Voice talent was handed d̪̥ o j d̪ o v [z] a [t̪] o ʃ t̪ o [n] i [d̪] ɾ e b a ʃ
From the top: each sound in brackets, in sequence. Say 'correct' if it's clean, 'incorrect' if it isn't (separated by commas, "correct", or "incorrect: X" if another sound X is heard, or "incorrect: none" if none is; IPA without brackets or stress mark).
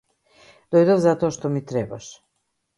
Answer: correct, correct, incorrect: m, incorrect: t̪